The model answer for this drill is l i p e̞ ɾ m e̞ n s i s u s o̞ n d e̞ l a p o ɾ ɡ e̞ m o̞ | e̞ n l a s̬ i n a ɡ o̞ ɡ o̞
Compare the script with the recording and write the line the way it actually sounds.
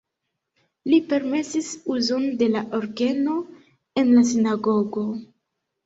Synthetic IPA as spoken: l i p e̞ ɾ m e̞ s i s u z o̞ n d e̞ l a ʔ o ɾ ɡ e̞ n o̞ | e̞ n l a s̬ i n a ɡ o̞ ɡ o̞